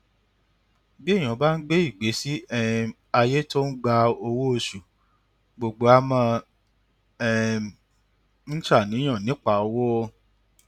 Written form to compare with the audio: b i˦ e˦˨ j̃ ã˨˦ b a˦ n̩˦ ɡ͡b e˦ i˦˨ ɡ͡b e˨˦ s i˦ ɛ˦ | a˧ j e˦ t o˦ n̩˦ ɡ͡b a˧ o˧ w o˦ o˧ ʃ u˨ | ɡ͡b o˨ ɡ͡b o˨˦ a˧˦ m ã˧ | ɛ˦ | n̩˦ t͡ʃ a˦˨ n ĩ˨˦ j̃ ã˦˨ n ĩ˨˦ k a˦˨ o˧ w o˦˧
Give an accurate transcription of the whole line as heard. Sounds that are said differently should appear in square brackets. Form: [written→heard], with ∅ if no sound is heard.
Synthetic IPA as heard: b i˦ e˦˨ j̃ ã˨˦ b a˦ n̩˦ ɡ͡b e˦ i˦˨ ɡ͡b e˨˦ s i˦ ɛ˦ | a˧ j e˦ t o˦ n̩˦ ɡ͡b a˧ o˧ w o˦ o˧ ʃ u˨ | ɡ͡b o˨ ɡ͡b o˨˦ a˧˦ m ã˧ | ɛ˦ | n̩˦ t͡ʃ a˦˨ n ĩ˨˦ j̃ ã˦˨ n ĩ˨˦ [k→k͡p] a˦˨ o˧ w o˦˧